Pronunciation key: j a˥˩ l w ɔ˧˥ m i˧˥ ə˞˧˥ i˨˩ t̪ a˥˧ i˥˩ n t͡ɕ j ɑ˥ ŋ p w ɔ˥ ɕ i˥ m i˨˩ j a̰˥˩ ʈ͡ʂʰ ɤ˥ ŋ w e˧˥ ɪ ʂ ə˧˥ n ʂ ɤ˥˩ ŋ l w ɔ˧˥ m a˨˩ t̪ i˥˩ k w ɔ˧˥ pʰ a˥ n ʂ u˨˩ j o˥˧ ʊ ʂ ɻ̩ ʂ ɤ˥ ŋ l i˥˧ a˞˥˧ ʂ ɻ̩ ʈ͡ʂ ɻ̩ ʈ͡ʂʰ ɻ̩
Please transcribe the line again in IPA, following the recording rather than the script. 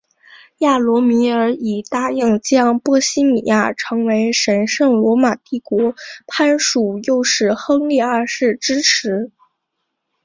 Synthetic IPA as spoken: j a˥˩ l w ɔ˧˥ m i˧˥ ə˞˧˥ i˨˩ t̪ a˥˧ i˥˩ ŋ t͡ɕ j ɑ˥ ŋ p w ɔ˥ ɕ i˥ m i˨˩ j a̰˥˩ ʈ͡ʂʰ ɤ˧˥ ŋ w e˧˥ ɪ ʂ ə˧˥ n ʂ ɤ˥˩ ŋ l w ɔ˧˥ m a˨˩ t̪ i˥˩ k w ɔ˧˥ pʰ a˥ n ʂ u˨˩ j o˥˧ ʊ ʂ ɻ̩ x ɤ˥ ŋ l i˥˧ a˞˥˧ ʂ ɻ̩ ʈ͡ʂ ɻ̩ ʈ͡ʂʰ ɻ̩

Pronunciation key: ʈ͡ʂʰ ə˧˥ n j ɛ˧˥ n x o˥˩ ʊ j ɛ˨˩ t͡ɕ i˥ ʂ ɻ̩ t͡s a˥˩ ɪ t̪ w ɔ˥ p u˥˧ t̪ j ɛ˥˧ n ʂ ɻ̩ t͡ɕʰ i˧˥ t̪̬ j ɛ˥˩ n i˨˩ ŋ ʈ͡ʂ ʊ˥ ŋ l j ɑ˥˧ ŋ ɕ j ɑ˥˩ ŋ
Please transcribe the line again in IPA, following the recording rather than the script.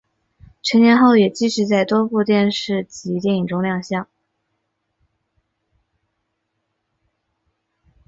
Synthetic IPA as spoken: ʈ͡ʂʰ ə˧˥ n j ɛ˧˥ n x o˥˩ ʊ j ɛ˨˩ t͡ɕ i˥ ʂ ɻ̩ t͡s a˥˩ ɪ t̪ w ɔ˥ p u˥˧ t̪ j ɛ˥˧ n ʂ ɻ̩ t͡ɕ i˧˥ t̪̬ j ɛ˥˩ n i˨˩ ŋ ʈ͡ʂ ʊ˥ ŋ l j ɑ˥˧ ŋ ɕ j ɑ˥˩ ŋ

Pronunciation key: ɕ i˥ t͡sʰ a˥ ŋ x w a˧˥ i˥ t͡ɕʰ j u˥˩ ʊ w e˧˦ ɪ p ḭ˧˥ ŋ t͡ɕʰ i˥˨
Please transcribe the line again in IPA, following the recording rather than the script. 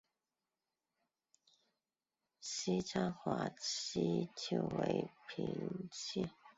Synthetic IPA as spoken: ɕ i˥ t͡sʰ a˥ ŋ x w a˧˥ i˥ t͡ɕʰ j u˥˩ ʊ w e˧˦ ɪ pʰ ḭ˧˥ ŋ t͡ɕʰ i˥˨

